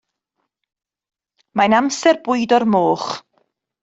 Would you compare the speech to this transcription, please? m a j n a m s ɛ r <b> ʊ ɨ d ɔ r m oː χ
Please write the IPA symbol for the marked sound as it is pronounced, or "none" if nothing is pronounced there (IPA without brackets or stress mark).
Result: b